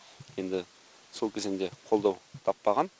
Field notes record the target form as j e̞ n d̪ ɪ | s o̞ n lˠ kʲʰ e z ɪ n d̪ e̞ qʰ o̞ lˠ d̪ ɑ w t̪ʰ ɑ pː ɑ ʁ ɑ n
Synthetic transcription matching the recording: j e̞ n d̪ ɪ | s o̞ lˠ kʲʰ e z ɪ n d̪ e̞ qʰ o̞ lˠ d̪ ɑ w t̪ʰ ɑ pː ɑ ʁ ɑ n